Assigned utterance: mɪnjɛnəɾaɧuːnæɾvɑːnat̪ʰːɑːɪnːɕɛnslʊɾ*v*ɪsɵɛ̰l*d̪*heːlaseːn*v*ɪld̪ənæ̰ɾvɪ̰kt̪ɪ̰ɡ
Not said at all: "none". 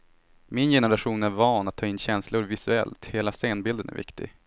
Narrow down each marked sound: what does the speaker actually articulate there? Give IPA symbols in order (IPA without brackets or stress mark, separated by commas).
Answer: v, t̪, b